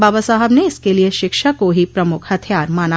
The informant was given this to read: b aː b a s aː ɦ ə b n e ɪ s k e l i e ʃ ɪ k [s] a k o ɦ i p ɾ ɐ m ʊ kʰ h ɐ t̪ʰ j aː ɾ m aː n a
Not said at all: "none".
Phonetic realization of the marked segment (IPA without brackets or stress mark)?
ʃ